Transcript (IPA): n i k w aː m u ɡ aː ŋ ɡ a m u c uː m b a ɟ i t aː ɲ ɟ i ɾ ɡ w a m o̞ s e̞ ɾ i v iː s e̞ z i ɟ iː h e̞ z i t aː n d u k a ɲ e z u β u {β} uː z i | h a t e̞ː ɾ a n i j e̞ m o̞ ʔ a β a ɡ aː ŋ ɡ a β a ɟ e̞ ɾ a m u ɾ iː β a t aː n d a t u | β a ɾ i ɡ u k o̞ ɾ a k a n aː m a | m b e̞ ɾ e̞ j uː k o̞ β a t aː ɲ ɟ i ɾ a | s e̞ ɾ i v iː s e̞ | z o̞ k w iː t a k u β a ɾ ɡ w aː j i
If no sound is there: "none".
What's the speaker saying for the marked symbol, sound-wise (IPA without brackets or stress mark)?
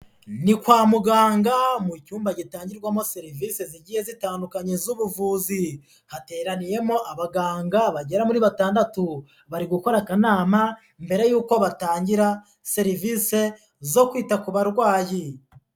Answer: v